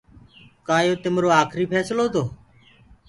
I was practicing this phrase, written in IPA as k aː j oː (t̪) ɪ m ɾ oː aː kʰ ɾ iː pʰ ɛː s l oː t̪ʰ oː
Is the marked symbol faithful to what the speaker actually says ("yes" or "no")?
yes